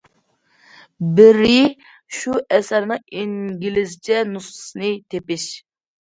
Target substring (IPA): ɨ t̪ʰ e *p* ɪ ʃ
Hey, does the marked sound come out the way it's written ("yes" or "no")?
yes